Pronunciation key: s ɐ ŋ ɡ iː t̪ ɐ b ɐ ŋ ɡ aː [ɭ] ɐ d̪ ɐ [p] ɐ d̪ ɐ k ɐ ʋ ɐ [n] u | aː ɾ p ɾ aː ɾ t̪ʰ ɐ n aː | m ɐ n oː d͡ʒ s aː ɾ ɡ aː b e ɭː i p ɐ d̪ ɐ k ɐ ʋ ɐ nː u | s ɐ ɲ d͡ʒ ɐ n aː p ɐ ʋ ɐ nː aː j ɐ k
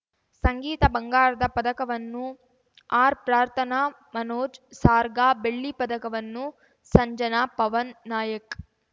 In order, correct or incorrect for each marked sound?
incorrect: ɾ, correct, incorrect: nː

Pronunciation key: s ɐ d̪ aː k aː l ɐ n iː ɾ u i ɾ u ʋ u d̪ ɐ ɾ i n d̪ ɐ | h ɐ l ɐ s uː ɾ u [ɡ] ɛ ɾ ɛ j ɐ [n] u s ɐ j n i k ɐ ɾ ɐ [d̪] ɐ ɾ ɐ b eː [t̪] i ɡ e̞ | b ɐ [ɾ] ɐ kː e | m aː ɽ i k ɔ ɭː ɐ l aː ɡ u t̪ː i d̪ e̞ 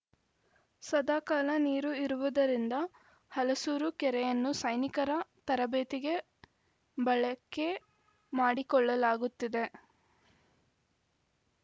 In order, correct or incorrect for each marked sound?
incorrect: k, incorrect: nː, incorrect: t̪, correct, incorrect: ɭ

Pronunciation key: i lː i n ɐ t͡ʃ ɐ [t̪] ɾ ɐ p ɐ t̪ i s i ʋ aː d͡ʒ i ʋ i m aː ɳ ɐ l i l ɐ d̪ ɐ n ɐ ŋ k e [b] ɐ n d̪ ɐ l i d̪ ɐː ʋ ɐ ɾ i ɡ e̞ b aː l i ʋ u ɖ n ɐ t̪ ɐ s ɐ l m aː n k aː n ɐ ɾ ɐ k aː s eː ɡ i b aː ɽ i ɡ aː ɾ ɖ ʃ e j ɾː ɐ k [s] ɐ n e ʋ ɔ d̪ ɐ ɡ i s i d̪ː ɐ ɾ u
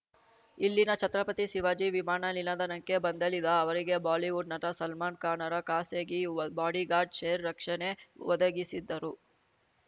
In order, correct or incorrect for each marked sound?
correct, correct, incorrect: ʂ

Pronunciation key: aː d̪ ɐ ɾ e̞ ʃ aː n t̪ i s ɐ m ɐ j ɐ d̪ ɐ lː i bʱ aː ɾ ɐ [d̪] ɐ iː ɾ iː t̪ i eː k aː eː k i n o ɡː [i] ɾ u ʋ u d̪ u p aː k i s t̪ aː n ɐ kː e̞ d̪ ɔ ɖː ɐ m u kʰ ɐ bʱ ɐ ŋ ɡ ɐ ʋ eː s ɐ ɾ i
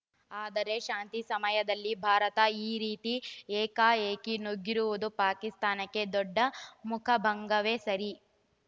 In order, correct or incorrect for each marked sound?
incorrect: t̪, correct

